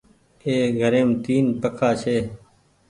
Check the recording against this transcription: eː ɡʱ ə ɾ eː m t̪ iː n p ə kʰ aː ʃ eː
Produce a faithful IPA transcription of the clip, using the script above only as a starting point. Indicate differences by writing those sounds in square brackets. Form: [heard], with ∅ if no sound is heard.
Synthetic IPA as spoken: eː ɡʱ ə ɾ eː m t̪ iː n p ə kʰ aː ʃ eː